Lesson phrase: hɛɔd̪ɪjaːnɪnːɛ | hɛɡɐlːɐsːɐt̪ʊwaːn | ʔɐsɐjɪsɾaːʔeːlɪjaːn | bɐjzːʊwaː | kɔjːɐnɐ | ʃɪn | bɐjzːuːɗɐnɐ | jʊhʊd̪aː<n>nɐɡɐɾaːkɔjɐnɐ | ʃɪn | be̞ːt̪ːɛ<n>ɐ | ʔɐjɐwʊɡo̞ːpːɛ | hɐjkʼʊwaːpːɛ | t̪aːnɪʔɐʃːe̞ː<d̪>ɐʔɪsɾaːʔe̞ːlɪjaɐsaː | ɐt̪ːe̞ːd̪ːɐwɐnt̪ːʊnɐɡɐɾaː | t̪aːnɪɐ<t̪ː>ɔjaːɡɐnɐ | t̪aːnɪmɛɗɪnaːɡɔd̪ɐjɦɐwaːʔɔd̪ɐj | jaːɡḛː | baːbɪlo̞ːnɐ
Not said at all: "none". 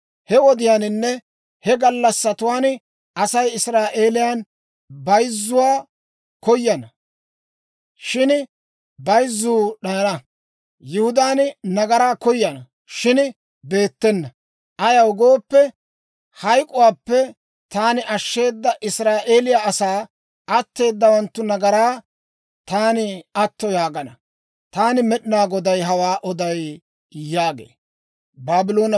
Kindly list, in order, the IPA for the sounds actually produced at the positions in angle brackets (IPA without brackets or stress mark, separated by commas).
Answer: n, nː, d̪ː, t̪ː